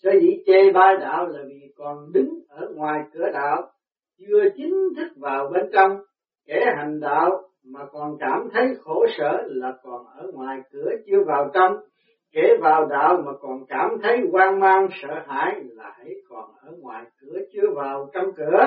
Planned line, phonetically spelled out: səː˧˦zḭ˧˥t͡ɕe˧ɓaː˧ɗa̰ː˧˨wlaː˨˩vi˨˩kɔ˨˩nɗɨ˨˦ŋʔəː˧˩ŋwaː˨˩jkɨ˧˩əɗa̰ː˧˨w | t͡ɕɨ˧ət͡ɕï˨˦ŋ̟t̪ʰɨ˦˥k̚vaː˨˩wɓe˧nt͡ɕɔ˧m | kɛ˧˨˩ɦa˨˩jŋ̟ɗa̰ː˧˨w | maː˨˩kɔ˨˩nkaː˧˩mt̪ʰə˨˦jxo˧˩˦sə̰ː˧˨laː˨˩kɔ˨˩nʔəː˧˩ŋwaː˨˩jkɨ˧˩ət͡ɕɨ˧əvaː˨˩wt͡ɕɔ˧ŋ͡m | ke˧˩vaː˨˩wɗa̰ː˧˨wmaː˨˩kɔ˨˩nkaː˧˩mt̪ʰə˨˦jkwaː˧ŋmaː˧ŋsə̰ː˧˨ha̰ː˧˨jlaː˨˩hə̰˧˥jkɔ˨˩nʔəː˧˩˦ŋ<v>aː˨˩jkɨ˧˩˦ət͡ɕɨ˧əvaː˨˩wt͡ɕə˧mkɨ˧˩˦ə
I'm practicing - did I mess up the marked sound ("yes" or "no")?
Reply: yes